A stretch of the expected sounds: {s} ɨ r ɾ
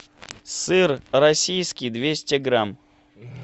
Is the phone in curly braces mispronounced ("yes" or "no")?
no